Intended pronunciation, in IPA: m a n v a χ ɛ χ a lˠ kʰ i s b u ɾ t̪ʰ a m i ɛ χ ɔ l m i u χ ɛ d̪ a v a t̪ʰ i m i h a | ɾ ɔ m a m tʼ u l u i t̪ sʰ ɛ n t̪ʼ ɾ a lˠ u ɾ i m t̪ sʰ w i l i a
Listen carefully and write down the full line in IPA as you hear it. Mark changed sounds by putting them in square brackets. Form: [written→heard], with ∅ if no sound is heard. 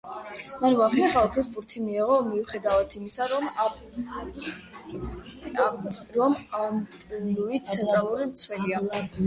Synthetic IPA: m a n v a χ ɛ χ a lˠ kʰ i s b u ɾ t̪ʰ [a→i] m i ɛ [χ→ʁ] ɔ [l→∅] m i u χ ɛ d̪ a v a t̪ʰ i m i [h→s] a | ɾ ɔ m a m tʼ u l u i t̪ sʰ ɛ n t̪ʼ ɾ a lˠ u ɾ i m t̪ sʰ w [i→ɛ] l i a